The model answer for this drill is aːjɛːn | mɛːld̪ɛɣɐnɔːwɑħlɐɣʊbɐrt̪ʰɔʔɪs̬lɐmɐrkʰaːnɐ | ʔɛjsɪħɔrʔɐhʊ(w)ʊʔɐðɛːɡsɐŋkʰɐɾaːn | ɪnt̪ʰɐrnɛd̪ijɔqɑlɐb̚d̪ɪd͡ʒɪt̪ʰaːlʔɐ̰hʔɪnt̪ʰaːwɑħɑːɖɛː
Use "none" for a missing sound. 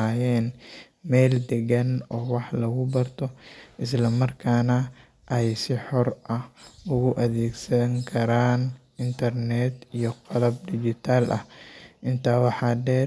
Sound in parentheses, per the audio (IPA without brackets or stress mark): ɣ